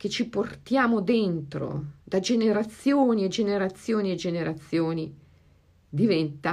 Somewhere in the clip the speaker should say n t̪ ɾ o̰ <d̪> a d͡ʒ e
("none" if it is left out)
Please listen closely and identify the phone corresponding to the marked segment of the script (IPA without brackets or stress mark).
d̪